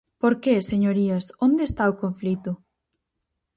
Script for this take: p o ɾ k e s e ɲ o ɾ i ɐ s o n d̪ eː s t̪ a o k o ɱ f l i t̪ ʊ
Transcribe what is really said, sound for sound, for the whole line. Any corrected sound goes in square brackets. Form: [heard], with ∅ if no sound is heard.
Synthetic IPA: p o ɾ k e s e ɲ o ɾ i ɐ s o n d̪ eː s t̪ a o k o ɱ f l i t̪ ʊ